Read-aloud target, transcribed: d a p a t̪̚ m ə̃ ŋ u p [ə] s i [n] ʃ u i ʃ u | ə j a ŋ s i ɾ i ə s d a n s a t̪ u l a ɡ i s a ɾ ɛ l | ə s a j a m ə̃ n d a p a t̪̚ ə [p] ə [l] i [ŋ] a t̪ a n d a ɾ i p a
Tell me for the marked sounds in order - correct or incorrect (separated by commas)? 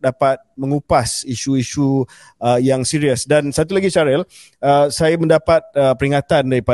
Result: incorrect, incorrect, correct, incorrect, correct